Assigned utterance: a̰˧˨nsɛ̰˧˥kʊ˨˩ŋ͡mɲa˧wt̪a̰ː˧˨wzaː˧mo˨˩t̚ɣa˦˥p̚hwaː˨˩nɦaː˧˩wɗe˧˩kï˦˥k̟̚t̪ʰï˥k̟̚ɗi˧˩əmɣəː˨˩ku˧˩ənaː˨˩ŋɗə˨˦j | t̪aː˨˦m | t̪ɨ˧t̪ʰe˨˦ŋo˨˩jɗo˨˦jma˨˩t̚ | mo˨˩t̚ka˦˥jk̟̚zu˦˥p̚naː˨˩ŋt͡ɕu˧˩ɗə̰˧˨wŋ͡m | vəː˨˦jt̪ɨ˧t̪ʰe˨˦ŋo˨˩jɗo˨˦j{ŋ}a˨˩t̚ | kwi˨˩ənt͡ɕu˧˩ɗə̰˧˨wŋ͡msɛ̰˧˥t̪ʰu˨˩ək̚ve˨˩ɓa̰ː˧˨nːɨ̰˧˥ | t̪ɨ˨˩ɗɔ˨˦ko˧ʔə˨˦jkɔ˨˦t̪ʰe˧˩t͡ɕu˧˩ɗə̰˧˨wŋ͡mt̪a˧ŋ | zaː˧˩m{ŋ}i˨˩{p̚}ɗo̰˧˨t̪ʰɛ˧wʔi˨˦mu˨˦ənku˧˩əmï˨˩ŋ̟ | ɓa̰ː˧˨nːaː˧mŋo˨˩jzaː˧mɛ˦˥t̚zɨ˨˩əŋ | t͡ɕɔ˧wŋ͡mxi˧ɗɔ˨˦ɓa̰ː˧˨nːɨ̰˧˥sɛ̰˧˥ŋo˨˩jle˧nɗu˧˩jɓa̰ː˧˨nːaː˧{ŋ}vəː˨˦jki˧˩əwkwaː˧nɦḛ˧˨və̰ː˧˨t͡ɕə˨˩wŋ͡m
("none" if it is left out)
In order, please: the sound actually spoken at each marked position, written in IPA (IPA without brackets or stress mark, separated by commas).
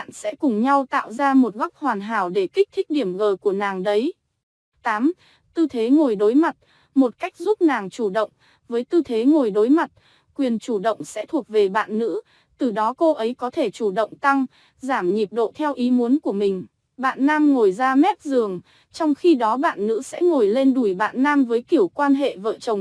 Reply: m, ɲ, p̚, m